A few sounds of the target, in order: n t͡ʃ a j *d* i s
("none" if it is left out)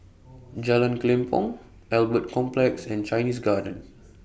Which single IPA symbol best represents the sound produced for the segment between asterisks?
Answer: n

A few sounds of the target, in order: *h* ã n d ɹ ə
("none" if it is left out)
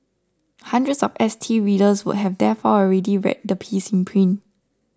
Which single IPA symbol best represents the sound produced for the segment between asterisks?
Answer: h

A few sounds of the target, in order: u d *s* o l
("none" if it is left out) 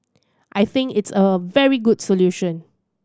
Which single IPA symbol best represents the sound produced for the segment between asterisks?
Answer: s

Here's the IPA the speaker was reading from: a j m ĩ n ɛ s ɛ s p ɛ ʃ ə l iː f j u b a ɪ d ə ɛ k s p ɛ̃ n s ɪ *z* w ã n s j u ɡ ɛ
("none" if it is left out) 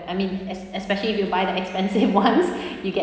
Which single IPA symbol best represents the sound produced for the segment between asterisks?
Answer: v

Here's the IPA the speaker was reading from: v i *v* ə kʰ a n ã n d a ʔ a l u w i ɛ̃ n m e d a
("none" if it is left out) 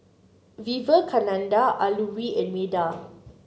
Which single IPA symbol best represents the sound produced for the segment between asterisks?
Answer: v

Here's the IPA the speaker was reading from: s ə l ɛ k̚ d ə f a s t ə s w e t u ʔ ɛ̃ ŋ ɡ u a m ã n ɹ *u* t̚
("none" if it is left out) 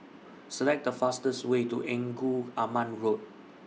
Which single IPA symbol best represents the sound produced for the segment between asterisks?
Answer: o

